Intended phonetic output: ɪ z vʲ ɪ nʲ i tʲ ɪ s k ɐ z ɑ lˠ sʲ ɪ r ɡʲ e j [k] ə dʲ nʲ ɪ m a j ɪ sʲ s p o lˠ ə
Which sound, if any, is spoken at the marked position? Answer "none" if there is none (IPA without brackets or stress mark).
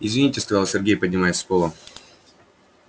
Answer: p